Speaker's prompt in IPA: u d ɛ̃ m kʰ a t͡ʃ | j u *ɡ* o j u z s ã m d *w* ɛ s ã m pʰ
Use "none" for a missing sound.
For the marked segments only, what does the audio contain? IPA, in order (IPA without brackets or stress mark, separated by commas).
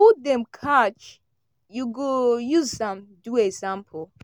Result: ɡ, u